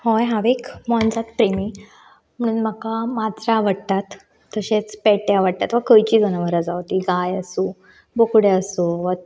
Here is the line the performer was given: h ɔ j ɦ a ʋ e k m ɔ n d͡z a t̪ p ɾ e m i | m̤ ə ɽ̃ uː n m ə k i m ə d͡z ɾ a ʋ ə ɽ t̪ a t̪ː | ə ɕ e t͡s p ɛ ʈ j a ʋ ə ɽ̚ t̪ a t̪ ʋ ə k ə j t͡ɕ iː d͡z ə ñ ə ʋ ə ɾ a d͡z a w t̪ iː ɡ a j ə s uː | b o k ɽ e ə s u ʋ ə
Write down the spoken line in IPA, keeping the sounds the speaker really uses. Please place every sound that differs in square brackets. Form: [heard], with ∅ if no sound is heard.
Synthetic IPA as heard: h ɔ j ɦ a ʋ e k m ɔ n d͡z a t̪ p ɾ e m i | m̤ ə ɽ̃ uː n m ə k [a] m [a] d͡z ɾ a ʋ ə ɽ t̪ a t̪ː | ə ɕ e t͡s p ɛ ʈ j a ʋ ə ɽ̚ t̪ a t̪ ʋ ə k ə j t͡ɕ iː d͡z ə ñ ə ʋ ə ɾ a d͡z a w t̪ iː ɡ a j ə s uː | b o k ɽ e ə s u ʋ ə